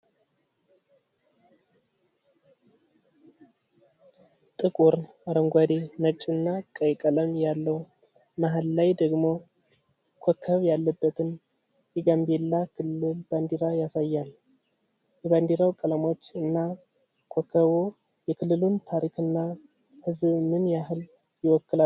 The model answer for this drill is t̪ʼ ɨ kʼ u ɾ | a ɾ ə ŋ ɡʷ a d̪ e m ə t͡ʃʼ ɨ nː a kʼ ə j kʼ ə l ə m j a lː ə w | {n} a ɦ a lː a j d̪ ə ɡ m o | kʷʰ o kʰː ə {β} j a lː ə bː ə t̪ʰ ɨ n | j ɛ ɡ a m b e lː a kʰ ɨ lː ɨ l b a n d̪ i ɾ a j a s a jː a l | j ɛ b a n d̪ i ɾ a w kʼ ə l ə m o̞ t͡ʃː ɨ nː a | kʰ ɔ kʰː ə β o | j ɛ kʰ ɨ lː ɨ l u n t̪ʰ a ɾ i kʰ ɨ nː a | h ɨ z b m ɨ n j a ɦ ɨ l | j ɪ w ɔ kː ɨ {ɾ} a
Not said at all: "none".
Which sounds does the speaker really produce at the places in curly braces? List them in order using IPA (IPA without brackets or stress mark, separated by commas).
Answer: m, β, l